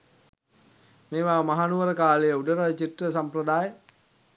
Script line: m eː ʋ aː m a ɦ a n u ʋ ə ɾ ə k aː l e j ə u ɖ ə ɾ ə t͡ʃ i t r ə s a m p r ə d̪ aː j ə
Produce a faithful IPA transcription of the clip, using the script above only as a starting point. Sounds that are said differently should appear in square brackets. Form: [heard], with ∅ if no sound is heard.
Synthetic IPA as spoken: m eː ʋ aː m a ɦ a n u ʋ ə ɾ ə k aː l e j ə u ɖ ə ɾ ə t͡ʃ i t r ə s a m p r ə d̪ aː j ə